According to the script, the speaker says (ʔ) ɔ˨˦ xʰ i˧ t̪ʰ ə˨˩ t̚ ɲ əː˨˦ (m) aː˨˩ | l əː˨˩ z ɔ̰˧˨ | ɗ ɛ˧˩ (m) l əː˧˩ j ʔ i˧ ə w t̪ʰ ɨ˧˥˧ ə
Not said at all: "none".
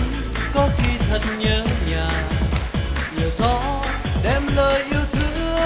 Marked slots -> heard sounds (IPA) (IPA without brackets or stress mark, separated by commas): k, ɲ, m